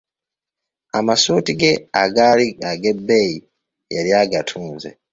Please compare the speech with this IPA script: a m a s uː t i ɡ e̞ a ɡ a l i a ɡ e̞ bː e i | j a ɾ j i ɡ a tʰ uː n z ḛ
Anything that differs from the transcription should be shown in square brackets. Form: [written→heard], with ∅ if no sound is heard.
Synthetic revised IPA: a m a s uː t i ɡ e̞ a ɡ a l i a ɡ e̞ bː e i | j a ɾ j [i→a] ɡ a tʰ uː n z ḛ